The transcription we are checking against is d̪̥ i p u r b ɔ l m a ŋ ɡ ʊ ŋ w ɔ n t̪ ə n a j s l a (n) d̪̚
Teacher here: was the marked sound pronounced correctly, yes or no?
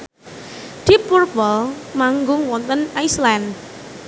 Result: yes